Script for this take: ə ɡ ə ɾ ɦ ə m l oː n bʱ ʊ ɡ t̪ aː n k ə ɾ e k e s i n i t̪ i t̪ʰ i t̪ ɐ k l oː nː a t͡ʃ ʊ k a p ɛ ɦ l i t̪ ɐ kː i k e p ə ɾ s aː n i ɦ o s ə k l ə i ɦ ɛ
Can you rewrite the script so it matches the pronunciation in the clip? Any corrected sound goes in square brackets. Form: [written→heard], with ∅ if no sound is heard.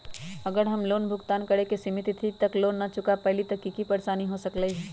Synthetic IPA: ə ɡ ə ɾ ɦ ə m l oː n bʱ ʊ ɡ t̪ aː n k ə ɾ e k e s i [n→m] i t̪ i t̪ʰ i t̪ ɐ k l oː nː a t͡ʃ ʊ k a p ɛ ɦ l i t̪ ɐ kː i k [e→i] p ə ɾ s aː n i ɦ o s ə k l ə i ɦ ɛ